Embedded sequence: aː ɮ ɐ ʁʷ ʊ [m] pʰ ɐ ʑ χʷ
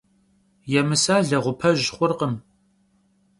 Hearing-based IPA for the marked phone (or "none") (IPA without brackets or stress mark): none